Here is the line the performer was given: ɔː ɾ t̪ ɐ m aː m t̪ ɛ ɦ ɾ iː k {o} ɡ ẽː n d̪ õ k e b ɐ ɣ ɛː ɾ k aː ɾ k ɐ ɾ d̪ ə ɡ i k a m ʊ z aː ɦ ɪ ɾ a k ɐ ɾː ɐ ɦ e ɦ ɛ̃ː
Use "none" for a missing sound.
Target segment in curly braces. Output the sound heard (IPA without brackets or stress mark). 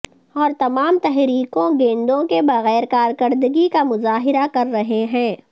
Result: õ